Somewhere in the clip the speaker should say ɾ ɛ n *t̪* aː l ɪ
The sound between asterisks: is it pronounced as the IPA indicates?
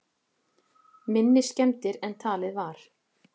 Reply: no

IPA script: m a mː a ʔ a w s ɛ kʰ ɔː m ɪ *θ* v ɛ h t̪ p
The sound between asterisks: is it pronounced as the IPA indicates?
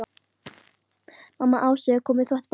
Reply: yes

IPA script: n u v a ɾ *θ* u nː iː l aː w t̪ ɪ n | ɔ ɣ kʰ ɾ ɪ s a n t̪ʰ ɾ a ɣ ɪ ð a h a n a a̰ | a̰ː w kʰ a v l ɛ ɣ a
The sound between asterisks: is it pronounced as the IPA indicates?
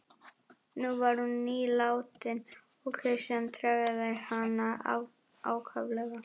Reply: no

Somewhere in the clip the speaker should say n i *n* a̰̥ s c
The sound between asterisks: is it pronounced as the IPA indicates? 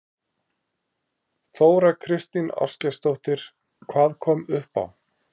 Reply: yes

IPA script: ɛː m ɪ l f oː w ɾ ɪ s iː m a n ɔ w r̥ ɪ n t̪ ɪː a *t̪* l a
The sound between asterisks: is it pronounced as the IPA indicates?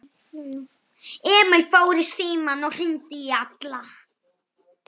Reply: yes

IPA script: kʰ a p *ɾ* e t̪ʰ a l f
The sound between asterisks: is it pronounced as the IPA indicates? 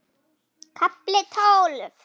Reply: no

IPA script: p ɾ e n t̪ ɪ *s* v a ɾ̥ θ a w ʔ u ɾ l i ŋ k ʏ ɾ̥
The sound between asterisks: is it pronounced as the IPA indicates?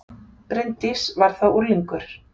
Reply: yes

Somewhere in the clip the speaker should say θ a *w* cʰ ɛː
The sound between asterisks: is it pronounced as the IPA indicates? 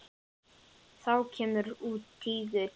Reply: yes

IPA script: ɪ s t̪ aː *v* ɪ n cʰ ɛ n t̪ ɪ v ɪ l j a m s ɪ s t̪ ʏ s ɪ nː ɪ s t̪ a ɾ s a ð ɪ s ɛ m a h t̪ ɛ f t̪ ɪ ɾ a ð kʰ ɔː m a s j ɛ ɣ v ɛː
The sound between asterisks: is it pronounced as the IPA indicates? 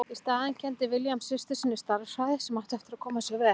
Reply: no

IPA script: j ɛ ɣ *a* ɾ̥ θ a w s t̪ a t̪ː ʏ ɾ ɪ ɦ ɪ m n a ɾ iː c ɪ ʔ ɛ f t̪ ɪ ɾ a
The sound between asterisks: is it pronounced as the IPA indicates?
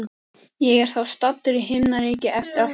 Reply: no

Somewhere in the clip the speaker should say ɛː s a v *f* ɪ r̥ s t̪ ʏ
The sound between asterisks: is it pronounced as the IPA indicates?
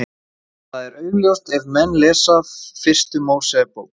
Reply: yes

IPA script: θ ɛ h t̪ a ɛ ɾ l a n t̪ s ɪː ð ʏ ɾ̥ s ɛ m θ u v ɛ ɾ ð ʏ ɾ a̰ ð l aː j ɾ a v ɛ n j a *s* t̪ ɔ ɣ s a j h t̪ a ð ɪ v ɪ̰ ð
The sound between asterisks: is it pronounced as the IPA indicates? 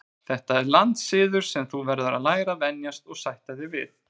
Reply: yes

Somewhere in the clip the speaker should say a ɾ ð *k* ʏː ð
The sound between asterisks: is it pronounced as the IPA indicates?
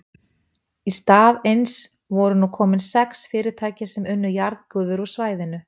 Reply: yes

